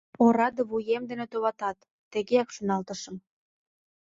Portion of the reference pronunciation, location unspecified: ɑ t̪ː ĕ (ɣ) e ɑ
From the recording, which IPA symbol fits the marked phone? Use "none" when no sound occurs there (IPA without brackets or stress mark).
ɣ